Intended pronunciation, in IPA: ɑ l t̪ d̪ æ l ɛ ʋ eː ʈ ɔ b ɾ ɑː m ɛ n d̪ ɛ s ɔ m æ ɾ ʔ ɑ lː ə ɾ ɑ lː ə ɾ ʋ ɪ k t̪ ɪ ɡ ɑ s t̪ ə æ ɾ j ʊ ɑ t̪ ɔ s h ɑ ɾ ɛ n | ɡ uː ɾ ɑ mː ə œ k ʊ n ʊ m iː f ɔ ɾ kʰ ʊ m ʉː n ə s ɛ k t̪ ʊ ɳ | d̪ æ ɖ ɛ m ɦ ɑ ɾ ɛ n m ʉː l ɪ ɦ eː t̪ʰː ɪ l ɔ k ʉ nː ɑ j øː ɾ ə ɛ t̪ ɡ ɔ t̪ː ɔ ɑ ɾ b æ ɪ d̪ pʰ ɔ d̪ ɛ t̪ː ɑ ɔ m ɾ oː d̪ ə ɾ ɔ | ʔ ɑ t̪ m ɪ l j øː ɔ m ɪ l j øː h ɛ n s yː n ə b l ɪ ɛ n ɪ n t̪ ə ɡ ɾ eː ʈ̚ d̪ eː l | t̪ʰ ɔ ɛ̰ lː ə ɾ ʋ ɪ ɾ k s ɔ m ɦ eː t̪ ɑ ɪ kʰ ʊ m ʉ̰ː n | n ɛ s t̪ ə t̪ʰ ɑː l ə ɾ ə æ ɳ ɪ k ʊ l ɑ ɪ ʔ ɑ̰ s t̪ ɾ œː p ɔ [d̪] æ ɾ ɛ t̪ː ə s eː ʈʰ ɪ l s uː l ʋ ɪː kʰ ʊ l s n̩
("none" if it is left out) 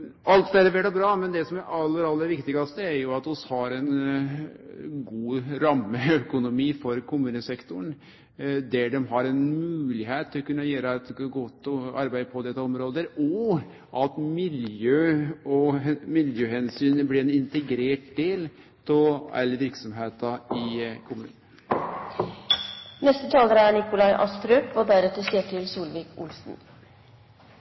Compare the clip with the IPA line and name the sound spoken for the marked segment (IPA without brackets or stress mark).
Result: d̪